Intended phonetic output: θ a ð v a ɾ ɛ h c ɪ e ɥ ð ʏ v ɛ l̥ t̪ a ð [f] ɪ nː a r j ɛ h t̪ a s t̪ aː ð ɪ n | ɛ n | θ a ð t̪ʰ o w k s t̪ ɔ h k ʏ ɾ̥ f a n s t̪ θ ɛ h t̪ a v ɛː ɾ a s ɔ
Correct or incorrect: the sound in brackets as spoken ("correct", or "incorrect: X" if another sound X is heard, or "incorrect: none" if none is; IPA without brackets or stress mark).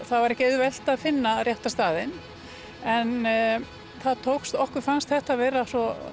correct